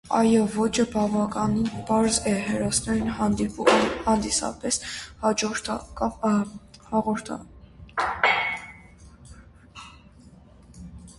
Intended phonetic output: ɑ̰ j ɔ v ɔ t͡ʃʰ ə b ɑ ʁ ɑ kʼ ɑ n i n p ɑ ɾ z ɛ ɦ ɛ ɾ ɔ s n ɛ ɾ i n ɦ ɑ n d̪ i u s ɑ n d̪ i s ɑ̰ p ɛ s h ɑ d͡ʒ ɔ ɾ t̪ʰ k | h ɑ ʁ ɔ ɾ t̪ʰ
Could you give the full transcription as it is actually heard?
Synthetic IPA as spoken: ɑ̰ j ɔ v ɔ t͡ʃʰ ə b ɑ v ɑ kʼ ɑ n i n p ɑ ɾ z ɛ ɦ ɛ ɾ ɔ s n ɛ ɾ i n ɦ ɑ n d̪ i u h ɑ n d̪ i s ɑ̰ p ɛ s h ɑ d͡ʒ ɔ ɾ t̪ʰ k | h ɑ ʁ ɔ ɾ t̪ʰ